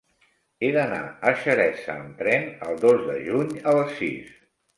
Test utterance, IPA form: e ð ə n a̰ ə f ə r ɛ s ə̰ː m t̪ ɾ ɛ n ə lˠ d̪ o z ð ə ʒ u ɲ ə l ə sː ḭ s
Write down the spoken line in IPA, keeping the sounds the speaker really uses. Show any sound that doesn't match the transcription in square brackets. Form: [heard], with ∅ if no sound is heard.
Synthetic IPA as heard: e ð ə n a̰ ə [ʃ] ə [ɾ] ɛ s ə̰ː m t̪ ɾ ɛ n ə lˠ d̪ o z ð ə ʒ u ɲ ə l ə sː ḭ s